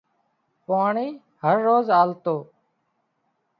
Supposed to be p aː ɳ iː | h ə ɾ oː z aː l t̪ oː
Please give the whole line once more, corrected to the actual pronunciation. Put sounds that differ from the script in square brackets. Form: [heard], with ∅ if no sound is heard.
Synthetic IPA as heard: p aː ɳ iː | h ə [ɾː] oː z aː l t̪ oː

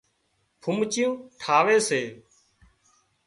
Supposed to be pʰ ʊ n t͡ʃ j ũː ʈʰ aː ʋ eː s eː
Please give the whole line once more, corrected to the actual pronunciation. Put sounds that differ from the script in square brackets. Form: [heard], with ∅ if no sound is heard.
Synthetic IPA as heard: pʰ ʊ [m] t͡ʃ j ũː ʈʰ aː ʋ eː s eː

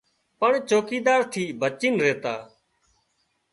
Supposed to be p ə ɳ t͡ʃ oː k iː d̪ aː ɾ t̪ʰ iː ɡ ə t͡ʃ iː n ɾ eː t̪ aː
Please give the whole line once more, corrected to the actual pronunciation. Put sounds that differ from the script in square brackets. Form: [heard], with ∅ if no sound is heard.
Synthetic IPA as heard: p ə ɳ t͡ʃ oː k iː d̪ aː ɾ t̪ʰ iː [b] ə t͡ʃ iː n ɾ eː t̪ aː

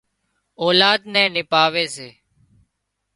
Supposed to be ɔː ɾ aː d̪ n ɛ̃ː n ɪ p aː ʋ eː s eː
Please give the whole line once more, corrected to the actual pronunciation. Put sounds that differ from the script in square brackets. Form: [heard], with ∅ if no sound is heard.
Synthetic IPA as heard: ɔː [l] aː d̪ n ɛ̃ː n ɪ p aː ʋ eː s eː

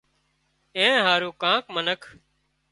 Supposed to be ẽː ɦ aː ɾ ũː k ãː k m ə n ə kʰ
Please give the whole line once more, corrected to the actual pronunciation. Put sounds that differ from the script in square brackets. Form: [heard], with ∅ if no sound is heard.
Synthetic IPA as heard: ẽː ɦ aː ɾ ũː k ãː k m ə n ə kʰ

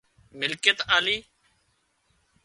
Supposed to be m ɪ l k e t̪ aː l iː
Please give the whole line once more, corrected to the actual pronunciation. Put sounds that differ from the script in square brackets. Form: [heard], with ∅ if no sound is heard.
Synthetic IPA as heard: m ɪ l k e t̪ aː l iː

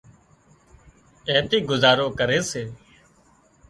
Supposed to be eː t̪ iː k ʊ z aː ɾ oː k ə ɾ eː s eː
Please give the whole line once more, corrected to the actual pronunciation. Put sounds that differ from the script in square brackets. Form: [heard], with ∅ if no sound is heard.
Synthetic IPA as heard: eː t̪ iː [ɡ] ʊ z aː ɾ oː k ə ɾ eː s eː

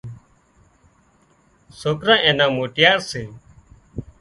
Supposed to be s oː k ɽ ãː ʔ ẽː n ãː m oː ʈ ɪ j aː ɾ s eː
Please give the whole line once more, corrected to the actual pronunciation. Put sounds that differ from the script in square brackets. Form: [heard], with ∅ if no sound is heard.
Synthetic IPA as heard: s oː k [ɾ] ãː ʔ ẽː n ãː m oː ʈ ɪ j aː ɾ s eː

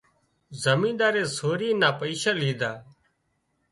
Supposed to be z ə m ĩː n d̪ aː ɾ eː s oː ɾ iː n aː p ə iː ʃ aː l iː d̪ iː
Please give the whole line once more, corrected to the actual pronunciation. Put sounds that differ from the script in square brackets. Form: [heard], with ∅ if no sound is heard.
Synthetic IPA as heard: z ə m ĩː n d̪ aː ɾ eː s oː ɾ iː n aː p ə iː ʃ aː l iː d̪ [aː]

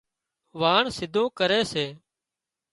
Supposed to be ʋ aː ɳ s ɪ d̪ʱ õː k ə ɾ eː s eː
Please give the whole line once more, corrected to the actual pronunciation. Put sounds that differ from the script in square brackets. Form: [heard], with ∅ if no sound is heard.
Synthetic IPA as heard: ʋ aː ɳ s ɪ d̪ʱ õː k ə ɾ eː s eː

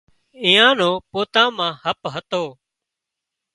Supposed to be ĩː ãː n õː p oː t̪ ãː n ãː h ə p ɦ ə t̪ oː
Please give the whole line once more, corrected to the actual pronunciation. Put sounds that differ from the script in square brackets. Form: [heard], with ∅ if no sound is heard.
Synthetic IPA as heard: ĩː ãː n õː p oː t̪ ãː [m] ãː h ə p ɦ ə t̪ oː

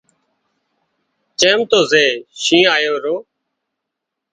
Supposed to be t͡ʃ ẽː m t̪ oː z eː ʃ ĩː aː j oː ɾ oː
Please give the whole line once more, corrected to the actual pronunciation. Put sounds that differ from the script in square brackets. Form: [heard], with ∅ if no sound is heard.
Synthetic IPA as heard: t͡ʃ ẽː m t̪ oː z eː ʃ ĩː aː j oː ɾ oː

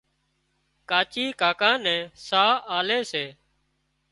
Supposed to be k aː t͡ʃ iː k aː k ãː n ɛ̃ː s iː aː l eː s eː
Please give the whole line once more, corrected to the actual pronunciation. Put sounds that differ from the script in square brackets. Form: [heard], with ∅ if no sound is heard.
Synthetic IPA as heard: k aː t͡ʃ iː k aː k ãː n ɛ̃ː s [aː] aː l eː s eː

